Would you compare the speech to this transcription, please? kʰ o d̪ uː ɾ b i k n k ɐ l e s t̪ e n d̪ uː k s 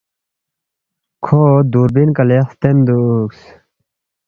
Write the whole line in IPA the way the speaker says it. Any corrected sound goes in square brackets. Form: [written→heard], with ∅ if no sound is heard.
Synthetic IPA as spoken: kʰ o d̪ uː ɾ b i [k→∅] n k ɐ l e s t̪ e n d̪ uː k s